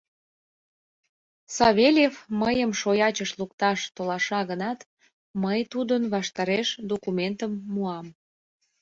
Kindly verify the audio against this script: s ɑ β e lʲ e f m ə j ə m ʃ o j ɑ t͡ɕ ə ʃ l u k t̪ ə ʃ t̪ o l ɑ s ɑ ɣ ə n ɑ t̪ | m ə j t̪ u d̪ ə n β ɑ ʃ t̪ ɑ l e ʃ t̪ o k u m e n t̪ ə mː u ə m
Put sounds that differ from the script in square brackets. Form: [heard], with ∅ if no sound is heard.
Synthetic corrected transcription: s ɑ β e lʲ e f m ə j ə m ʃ o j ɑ t͡ɕ ə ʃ l u k t̪ [ɑ] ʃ t̪ o l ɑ [ʃ] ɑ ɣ ə n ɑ t̪ | m ə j t̪ u d̪ ə n β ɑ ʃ t̪ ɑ [ɾ] e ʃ [d̪] o k u m e n t̪ ə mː u [ɑ] m